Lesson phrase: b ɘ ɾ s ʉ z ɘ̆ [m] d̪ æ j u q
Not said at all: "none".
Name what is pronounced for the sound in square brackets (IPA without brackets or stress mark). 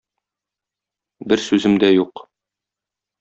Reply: m